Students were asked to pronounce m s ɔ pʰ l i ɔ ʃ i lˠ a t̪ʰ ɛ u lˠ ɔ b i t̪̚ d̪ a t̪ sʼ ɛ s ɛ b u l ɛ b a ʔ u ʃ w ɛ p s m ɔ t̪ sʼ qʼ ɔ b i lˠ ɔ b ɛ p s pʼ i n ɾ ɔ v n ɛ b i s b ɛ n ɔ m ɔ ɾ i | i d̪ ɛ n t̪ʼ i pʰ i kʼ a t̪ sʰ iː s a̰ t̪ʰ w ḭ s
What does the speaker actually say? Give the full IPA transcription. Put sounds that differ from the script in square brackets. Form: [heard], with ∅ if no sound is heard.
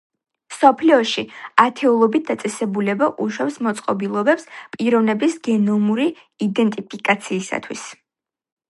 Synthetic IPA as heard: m s ɔ pʰ l i ɔ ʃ i [∅] a t̪ʰ ɛ u lˠ ɔ b i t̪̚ d̪ a t̪ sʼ ɛ s ɛ b u l ɛ b a ʔ u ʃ w ɛ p s m ɔ t̪ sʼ qʼ ɔ b i lˠ ɔ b ɛ p s pʼ i [∅] ɾ ɔ v n ɛ b i s [ɡ] ɛ n ɔ m [u] ɾ i | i d̪ ɛ n t̪ʼ i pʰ i kʼ a t̪ sʰ iː s a̰ t̪ʰ w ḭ s